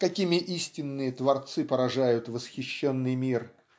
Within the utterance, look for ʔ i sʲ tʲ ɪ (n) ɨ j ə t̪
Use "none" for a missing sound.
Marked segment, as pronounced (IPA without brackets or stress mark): nː